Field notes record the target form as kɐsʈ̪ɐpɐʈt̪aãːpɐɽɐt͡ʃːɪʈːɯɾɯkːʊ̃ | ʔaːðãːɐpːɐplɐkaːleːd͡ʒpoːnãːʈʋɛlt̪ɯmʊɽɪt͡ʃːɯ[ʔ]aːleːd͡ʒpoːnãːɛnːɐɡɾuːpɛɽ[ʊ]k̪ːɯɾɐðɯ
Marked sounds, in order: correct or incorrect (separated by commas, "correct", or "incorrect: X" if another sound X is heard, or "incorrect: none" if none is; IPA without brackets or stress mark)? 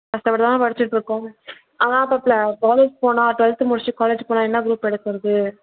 incorrect: k, incorrect: ɯ